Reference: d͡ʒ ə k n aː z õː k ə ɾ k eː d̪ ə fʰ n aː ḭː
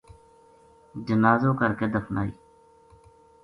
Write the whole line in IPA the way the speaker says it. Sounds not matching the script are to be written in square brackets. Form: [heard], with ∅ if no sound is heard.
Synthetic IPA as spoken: d͡ʒ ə [∅] n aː z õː k ə ɾ k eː d̪ ə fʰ n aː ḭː